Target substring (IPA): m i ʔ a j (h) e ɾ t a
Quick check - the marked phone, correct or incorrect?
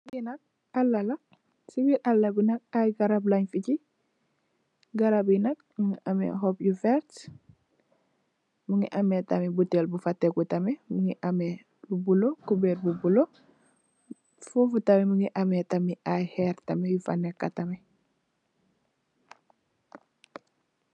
correct